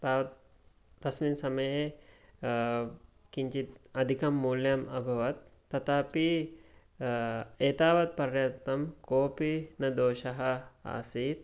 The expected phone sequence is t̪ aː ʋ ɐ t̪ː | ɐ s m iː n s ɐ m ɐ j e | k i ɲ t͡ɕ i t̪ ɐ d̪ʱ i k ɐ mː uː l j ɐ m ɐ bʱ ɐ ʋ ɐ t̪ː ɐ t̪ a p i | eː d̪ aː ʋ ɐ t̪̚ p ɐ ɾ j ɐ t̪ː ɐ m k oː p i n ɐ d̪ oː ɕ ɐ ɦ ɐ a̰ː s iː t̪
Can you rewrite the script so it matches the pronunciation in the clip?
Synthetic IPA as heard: t̪ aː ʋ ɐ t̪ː | ɐ s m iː n s ɐ m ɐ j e | k i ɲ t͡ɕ i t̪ ɐ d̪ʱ i k ɐ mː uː l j ɐ m ɐ bʱ ɐ ʋ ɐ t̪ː ɐ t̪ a p i | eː t̪ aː ʋ ɐ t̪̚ p ɐ ɾ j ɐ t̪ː ɐ m k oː p i n ɐ d̪ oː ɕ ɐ ɦ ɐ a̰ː s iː t̪